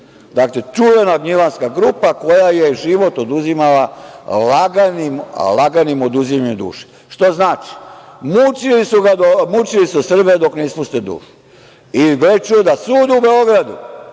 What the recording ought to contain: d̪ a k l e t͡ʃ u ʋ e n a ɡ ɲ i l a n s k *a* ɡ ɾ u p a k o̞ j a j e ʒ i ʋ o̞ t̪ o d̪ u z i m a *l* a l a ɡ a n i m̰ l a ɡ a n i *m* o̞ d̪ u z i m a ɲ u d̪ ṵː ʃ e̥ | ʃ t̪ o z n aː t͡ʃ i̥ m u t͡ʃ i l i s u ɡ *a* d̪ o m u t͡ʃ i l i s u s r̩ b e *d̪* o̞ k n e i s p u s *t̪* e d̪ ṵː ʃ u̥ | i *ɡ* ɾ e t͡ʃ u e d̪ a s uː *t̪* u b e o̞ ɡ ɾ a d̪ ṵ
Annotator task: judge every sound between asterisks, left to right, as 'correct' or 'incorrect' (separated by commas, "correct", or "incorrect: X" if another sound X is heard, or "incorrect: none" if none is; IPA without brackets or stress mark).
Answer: correct, correct, correct, correct, correct, correct, correct, incorrect: d̪